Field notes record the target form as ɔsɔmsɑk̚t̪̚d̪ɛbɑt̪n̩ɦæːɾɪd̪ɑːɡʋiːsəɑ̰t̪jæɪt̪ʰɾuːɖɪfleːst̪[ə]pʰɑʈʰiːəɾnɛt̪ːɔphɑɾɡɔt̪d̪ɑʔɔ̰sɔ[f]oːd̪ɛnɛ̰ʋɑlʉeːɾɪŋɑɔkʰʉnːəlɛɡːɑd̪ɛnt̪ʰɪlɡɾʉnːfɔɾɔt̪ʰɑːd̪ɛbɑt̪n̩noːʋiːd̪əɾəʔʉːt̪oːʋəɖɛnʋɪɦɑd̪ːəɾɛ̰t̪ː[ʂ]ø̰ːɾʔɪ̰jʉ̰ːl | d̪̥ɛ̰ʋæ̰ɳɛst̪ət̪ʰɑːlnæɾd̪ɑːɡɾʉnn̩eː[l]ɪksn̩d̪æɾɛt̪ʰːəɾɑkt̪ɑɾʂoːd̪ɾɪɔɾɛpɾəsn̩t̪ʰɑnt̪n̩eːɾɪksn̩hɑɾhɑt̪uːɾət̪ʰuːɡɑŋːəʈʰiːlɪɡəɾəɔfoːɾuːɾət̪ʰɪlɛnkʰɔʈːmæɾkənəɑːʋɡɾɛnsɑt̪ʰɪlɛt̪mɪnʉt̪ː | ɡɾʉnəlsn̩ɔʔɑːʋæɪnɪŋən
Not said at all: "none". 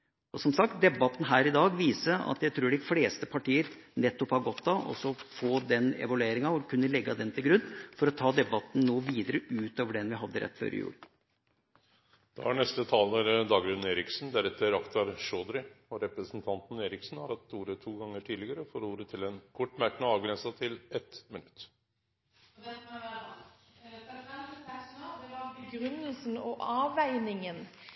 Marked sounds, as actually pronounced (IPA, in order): ə, f, f, ɾ

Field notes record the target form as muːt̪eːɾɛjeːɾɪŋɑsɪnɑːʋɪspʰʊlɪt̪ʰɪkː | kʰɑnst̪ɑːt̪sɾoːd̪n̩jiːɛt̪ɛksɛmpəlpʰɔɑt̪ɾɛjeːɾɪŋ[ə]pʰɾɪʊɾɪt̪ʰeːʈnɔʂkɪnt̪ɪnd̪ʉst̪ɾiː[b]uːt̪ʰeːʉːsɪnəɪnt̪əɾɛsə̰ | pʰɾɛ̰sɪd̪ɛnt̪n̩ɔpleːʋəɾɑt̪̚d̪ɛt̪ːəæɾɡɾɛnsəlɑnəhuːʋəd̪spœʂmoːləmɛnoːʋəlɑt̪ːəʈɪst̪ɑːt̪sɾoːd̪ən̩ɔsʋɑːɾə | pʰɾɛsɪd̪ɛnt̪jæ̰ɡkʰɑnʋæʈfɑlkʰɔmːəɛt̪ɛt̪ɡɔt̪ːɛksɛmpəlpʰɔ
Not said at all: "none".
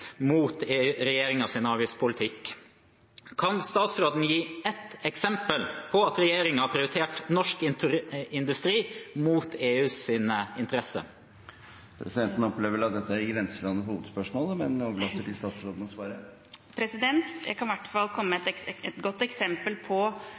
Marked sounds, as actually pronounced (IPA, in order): ɑ, m

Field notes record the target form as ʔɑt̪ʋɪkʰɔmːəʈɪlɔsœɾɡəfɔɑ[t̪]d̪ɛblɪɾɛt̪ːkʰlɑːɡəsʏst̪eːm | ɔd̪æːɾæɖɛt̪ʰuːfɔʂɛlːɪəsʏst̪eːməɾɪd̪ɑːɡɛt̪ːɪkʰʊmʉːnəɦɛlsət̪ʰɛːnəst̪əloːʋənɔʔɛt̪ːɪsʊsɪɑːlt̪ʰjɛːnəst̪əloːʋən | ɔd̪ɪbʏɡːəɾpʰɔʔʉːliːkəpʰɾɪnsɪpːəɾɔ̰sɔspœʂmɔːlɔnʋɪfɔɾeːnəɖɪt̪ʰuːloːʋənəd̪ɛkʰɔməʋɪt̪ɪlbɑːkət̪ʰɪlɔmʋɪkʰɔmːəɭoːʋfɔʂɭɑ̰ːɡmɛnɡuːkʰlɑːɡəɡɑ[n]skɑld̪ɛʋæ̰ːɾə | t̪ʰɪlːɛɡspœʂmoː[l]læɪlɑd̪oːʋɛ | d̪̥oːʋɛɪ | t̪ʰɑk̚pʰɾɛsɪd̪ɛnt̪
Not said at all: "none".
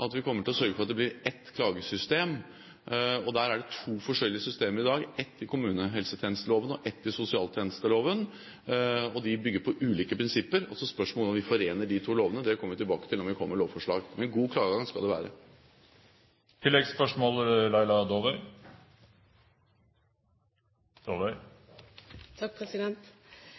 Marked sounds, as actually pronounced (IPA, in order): t̪, ŋ, l

